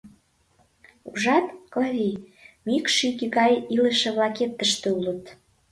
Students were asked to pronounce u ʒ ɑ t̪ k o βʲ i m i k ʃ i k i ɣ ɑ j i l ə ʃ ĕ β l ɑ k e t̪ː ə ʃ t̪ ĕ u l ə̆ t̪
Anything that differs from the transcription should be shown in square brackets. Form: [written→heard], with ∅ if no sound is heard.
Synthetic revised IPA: u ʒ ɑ t̪ k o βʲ i m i k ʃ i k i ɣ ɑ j i l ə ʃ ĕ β l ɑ k e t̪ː ə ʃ t̪ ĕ u l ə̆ t̪